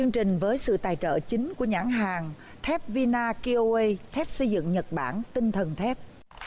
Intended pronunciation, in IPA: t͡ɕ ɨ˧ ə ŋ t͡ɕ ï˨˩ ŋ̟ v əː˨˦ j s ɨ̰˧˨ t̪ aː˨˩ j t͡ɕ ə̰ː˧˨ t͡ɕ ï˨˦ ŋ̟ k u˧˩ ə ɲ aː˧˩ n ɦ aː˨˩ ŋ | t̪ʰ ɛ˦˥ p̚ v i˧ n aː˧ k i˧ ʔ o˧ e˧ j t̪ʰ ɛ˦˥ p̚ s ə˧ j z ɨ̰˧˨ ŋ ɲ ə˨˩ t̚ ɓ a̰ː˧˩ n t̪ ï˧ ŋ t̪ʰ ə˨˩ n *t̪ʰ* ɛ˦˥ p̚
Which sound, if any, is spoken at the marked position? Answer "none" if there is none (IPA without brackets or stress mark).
t̪ʰ